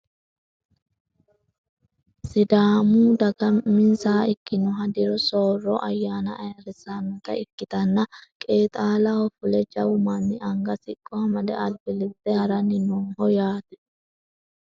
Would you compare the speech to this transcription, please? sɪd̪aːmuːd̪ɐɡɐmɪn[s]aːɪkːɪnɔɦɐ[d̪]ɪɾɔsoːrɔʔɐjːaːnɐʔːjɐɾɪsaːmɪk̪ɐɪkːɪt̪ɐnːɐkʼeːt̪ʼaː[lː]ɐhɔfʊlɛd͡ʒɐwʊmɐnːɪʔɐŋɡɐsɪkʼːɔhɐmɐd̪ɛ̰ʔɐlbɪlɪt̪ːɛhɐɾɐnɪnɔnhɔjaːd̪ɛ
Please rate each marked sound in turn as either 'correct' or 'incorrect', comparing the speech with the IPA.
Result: correct, correct, incorrect

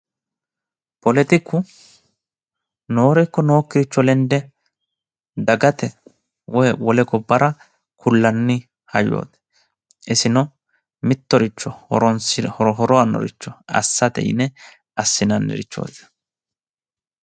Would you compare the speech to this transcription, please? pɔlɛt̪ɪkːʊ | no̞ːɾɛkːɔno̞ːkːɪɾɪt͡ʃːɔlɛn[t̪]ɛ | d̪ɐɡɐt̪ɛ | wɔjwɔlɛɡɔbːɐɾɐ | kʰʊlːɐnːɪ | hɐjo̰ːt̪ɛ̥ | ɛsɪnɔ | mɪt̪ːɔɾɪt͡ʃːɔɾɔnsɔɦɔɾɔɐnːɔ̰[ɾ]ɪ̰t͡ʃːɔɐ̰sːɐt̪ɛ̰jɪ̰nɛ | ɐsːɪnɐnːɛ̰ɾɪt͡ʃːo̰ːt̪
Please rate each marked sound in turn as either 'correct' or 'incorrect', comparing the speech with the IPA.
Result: incorrect, correct

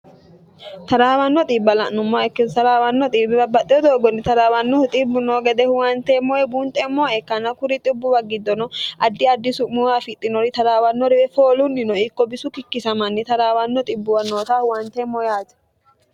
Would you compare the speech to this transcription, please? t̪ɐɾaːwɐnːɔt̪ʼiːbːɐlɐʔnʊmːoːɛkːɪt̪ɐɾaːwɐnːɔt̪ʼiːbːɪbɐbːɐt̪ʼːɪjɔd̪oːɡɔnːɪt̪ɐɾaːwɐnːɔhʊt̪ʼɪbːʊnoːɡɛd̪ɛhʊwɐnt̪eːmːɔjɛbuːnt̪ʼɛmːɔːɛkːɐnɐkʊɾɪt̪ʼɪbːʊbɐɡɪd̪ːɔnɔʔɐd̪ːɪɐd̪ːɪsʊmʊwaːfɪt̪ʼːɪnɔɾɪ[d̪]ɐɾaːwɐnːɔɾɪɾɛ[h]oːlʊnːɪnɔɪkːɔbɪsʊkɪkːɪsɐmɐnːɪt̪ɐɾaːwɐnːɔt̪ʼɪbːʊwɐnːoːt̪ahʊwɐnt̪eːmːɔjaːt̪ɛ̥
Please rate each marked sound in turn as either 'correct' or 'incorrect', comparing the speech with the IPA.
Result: incorrect, incorrect

